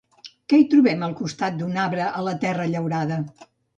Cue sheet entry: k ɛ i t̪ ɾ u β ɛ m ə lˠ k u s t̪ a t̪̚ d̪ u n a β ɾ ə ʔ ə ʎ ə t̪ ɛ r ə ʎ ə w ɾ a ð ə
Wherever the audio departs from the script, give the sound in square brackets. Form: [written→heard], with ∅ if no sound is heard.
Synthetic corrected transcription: k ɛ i t̪ ɾ u β ɛ m ə lˠ k u s t̪ a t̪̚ d̪ u n a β ɾ ə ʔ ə [ʎ→l] ə t̪ ɛ r ə ʎ ə w ɾ a ð ə

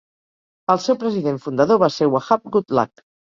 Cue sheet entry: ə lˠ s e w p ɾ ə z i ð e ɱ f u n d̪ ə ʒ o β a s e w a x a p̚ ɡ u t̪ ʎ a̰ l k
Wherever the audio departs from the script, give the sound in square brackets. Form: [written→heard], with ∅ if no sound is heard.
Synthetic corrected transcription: ə lˠ s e w p ɾ ə z i ð e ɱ f u n d̪ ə [ʒ→ð] o β a s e w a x a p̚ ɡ u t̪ [ʎ→l] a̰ [l→∅] k

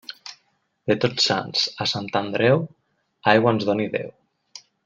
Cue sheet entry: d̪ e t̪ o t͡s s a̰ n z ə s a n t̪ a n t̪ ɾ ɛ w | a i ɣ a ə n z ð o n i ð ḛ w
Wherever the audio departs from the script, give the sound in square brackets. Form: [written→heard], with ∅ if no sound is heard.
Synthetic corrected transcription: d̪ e t̪ o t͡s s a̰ n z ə s a n t̪ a n [t̪→d̪] ɾ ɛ w | a [i→j] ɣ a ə n z ð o n i ð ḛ w

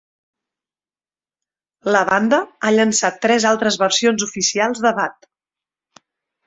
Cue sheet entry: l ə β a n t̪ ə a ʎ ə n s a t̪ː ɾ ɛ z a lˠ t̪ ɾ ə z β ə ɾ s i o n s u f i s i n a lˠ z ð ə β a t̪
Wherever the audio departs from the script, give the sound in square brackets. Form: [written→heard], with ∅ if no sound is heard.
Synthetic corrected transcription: l ə β a n [t̪→d̪] ə a ʎ ə n s a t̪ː ɾ ɛ z a lˠ t̪ ɾ ə z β ə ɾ s i o n [s→z] u f i s i [n→∅] a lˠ z ð ə β a t̪

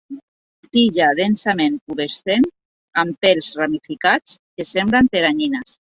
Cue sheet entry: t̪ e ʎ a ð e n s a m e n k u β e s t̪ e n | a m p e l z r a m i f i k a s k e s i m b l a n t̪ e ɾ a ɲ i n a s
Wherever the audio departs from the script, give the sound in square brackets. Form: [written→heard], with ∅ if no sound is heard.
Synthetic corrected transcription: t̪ [e→i] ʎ a ð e n s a m e n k u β e s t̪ e n | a m p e l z r a m i f i k a [s→t͡s] k e s [i→e] m b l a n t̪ e ɾ a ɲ i n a s

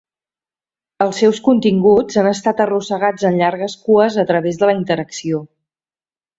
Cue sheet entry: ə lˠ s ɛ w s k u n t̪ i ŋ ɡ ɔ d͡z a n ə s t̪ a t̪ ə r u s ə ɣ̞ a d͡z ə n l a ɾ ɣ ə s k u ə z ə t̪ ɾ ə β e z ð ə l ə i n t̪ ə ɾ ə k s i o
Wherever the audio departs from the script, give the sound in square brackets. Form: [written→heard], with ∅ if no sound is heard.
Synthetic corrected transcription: ə lˠ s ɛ w s k u n t̪ i ŋ ɡ [ɔ→u] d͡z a n ə s t̪ a t̪ ə r u s ə ɣ̞ a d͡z ə n [l→ʎ] a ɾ ɣ ə s k u ə z ə t̪ ɾ ə β e z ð ə l ə i n t̪ ə ɾ ə k s i o

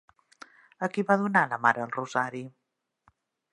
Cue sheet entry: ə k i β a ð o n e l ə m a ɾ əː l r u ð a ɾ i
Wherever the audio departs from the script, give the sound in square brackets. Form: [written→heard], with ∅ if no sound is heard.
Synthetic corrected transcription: ə k i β a ð [o→u] n [e→a] l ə m a ɾ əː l r u [ð→z] a ɾ i

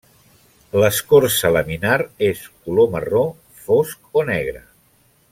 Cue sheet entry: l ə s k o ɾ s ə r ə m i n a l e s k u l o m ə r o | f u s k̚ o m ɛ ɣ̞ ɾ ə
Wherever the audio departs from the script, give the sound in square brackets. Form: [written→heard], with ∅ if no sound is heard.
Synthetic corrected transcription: l ə s k o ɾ s ə [r→l] ə m i n a [l→ɾ] e s k u l o m ə r o | f [u→o] s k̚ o [m→n] ɛ ɣ̞ ɾ ə

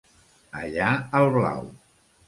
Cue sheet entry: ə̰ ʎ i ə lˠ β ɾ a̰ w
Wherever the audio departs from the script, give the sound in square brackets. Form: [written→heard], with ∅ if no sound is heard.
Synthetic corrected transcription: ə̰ ʎ [i→a] ə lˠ β [ɾ→l] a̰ w

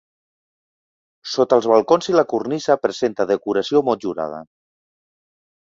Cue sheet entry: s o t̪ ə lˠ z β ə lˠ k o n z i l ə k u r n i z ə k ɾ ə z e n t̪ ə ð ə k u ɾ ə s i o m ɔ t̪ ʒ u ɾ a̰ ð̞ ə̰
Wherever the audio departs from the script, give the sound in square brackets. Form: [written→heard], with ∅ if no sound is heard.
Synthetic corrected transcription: s o t̪ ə lˠ z β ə lˠ k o n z i l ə k u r n i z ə [k→p] ɾ ə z e n t̪ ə ð ə k u ɾ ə s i o m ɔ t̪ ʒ u ɾ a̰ ð̞ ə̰

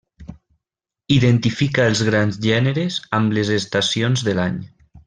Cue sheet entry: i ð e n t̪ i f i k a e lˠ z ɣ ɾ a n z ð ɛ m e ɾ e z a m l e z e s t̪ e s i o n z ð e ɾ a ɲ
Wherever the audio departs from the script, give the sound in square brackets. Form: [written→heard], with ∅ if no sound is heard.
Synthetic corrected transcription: i ð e n t̪ i f i k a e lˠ z ɣ ɾ a n z [ð→ʒ] ɛ [m→n] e ɾ e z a m l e z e s t̪ [e→a] s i o n z ð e [ɾ→l] a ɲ

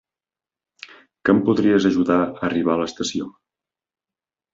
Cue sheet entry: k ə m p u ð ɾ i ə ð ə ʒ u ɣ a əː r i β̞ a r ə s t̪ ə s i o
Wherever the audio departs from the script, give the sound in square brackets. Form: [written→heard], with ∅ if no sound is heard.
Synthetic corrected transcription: k ə m p u ð ɾ i ə [ð→z] ə ʒ u [ɣ→ð] a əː r i β̞ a [r→l] ə s t̪ ə s i o

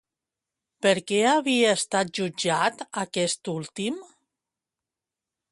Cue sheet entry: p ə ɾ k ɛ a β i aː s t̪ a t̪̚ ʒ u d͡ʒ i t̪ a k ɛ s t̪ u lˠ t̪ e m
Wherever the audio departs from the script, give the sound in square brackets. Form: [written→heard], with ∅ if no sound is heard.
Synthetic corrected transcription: p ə ɾ k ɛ a β i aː s t̪ a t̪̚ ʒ u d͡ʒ [i→a] t̪ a k ɛ s t̪ u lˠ t̪ [e→i] m

